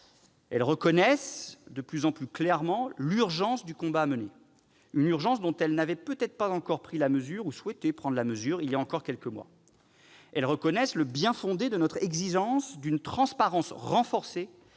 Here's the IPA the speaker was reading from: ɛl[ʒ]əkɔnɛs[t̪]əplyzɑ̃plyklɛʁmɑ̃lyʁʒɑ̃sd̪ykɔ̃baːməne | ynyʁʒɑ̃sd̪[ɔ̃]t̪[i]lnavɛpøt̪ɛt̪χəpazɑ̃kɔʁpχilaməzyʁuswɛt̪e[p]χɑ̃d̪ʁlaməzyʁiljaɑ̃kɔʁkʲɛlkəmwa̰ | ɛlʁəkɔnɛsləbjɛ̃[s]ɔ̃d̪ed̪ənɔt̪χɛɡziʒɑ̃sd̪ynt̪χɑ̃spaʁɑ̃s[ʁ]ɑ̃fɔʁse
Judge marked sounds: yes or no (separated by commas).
no, no, yes, no, yes, no, yes